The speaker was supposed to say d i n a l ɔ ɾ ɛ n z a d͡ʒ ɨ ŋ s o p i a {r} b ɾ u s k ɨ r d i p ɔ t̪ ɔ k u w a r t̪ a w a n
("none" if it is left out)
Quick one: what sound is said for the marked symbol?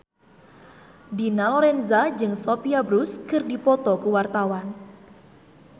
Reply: none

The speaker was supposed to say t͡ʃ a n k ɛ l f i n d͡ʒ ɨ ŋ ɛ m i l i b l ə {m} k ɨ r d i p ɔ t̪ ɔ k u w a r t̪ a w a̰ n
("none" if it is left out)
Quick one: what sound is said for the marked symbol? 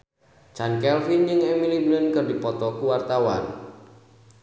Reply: n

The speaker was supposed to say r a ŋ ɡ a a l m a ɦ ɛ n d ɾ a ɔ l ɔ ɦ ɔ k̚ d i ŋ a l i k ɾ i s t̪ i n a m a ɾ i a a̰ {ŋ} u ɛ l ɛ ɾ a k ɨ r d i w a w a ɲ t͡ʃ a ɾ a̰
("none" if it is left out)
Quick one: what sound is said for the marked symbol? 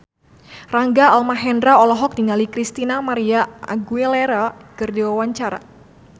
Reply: ɡ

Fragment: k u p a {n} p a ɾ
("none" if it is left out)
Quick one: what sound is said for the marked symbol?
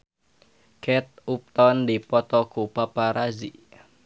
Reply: none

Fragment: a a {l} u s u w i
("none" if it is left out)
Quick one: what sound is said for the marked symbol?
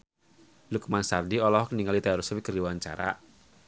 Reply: ɾ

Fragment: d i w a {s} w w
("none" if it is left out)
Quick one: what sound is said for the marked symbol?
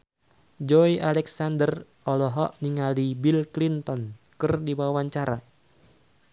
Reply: none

